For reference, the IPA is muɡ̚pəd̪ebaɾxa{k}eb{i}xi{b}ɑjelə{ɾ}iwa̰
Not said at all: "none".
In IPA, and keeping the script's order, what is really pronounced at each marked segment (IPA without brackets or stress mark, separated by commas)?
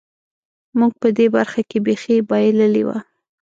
k, e, b, l